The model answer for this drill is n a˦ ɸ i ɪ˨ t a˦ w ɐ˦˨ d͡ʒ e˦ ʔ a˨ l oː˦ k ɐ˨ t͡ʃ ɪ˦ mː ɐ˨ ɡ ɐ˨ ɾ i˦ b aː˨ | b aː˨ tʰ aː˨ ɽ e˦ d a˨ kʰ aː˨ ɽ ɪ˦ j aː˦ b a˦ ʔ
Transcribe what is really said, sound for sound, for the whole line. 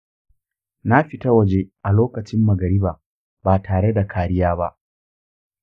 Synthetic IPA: n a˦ ɸ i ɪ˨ t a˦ w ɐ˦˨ d͡ʒ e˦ ʔ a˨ l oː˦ k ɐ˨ t͡ʃ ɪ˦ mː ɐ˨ ɡ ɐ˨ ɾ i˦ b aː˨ | b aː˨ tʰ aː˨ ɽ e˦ d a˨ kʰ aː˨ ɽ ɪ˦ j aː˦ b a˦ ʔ

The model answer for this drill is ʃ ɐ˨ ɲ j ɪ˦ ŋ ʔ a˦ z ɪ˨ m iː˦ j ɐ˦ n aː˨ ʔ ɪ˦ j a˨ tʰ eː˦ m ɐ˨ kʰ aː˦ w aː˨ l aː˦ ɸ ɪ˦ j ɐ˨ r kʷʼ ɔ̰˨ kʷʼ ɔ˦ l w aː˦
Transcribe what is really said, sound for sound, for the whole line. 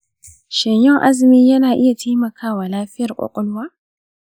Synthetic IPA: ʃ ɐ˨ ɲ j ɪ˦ ŋ ʔ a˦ z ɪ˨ m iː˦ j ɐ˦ n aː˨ ʔ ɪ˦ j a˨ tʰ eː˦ m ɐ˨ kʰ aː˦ w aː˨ l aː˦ ɸ ɪ˦ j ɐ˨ r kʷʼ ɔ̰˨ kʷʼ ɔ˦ l w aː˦

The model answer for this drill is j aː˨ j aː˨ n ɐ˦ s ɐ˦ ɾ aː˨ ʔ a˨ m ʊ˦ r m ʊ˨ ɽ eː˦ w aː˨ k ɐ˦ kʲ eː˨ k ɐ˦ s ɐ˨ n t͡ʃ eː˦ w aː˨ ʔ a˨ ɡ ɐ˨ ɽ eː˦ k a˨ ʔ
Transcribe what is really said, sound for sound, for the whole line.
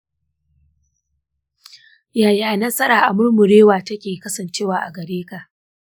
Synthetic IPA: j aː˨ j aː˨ n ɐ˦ s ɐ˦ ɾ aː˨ ʔ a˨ m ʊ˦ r m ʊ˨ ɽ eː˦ w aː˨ t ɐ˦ kʲ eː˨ k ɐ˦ s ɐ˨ n t͡ʃ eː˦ w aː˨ ʔ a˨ ɡ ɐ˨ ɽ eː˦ k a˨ ʔ

